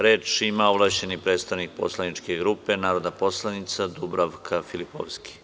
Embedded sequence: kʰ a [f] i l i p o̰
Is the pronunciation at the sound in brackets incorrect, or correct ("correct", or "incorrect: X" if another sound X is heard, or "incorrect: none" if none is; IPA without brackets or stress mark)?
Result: correct